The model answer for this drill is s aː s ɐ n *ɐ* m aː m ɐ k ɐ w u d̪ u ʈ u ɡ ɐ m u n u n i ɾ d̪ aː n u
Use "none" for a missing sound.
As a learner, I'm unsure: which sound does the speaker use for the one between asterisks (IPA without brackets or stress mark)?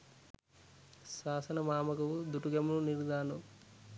ɐ